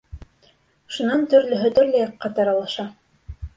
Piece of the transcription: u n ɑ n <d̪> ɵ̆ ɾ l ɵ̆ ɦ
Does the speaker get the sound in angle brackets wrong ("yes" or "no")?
yes